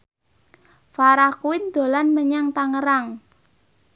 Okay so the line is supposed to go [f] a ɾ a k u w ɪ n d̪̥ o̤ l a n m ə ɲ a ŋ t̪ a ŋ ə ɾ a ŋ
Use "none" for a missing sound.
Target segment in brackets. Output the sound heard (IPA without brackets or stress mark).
f